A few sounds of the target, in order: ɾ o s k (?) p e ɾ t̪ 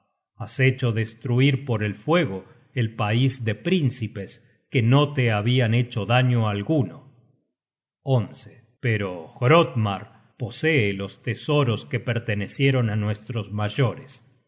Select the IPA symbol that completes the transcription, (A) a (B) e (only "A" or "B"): B